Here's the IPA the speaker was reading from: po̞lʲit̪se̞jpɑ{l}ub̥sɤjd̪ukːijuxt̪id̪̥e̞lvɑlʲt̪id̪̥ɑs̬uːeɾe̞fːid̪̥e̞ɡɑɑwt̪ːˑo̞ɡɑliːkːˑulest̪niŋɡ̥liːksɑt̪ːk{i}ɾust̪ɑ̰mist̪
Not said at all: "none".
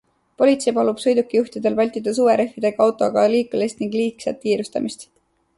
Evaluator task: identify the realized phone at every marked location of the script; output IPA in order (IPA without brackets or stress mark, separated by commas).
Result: l, iː